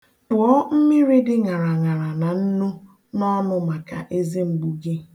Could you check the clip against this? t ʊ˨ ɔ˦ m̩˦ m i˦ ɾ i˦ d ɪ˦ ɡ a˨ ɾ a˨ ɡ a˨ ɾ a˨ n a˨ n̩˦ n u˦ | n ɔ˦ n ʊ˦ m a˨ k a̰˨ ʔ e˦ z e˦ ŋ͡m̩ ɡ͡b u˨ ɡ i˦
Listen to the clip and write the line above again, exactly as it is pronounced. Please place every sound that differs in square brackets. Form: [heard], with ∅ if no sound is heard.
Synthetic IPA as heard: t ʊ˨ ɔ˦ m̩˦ m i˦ ɾ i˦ d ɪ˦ [ŋ] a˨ ɾ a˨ [ŋ] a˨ ɾ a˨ n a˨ n̩˦ n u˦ | n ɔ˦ n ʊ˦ m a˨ k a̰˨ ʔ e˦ z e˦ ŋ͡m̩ ɡ͡b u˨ ɡ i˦